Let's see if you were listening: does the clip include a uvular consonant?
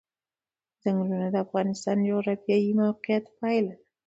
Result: yes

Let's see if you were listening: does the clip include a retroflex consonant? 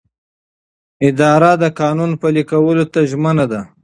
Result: no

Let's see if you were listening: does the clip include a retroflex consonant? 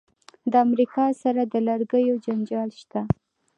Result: no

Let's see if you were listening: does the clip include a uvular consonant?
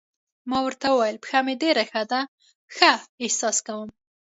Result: no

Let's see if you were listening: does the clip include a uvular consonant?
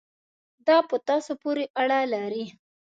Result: no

